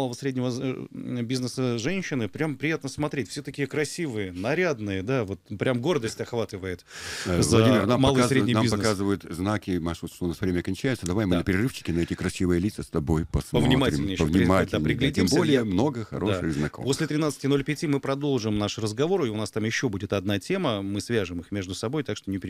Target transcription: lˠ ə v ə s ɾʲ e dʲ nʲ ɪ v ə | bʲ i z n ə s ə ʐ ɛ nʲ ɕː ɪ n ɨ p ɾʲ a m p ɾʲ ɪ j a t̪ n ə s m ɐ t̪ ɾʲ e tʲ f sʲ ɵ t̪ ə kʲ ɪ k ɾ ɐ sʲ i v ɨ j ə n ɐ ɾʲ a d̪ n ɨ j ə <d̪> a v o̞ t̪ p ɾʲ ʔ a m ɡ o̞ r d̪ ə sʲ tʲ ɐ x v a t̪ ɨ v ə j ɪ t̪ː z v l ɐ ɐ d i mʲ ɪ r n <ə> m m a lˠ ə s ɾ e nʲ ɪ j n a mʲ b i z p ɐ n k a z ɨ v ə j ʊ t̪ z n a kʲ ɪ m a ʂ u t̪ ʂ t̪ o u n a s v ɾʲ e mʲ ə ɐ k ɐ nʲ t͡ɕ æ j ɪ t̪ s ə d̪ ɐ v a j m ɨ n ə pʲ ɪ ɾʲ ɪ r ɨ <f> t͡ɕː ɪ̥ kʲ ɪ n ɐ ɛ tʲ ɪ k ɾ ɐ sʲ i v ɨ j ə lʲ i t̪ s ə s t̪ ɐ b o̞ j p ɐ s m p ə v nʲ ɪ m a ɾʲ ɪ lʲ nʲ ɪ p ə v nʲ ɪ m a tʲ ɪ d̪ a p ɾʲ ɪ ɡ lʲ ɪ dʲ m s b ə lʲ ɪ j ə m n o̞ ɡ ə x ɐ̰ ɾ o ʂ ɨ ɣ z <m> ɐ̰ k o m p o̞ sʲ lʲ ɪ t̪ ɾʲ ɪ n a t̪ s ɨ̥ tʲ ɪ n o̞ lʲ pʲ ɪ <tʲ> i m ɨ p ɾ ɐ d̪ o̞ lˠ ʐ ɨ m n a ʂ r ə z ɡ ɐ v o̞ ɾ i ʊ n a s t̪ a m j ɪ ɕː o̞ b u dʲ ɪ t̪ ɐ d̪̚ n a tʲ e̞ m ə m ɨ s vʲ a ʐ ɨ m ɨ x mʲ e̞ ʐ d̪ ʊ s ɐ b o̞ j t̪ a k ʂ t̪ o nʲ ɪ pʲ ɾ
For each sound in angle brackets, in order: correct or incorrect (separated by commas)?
correct, incorrect, correct, incorrect, correct